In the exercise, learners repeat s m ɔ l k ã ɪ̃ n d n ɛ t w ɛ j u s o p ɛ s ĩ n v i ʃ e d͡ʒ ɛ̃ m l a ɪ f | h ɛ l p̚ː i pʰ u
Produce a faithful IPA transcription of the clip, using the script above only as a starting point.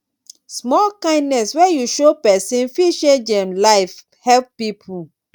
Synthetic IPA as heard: s m ɔ l k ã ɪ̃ n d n ɛ s w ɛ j u ʃ o p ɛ s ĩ n f i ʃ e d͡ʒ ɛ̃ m l a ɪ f | h ɛ l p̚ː i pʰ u